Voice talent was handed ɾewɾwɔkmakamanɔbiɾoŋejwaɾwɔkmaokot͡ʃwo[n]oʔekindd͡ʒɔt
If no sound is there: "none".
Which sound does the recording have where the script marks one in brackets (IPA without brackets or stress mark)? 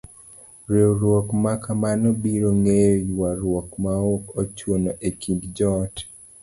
n